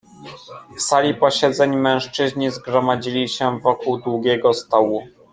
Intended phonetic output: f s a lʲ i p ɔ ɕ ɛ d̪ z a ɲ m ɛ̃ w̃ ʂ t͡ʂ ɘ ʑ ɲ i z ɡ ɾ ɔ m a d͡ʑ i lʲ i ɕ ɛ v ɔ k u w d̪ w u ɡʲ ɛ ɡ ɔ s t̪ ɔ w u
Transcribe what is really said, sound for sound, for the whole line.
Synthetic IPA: f s a lʲ i p ɔ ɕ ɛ d̪ z ɛ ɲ m ɛ̃ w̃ ʂ t͡ʂ ɘ ʑ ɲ i z ɡ ɾ ɔ m a d͡ʑ i lʲ i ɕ ɛ v ɔ k u w d̪ w u ɡʲ ɛ ɡ ɔ s t̪ ɔ w u